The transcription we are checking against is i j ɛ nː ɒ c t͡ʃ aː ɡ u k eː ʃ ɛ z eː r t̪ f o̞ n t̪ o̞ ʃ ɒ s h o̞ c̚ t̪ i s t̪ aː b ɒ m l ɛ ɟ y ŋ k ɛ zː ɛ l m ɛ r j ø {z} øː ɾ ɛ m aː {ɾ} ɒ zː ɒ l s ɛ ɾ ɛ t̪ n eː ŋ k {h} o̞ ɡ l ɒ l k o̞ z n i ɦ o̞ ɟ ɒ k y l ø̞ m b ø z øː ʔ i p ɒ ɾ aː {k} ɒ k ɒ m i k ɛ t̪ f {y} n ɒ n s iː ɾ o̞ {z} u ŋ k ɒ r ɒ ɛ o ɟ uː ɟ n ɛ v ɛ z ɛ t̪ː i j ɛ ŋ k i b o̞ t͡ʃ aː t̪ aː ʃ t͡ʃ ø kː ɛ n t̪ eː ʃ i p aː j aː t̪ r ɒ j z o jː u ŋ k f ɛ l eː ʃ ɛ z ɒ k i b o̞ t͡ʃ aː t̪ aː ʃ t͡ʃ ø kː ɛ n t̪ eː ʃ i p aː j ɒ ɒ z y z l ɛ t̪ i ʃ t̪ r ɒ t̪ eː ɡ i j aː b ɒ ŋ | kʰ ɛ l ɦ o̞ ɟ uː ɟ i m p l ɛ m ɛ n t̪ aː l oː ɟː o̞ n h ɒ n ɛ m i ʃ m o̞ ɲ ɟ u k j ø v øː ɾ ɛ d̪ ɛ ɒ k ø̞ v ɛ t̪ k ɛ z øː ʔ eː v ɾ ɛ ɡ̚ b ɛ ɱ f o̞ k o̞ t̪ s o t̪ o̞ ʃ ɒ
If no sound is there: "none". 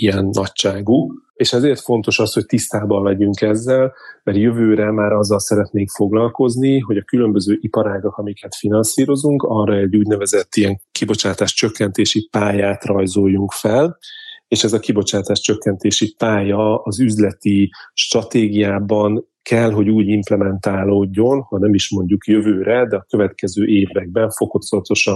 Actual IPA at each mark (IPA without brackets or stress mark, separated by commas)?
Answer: v, ɾ, f, ɡ, i, z